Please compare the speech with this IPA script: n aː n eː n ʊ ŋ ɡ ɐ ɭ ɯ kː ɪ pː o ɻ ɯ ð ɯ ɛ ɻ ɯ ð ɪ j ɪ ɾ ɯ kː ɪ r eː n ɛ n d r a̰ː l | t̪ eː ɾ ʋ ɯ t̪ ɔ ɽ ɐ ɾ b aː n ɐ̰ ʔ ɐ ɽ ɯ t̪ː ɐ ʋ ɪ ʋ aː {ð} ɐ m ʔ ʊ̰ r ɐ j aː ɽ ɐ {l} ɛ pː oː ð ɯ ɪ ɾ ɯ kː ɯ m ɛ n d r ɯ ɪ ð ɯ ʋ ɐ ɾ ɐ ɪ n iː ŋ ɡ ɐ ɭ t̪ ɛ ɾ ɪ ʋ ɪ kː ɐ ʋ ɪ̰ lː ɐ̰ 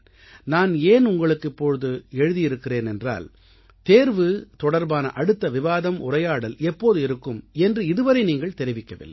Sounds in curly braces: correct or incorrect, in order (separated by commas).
correct, correct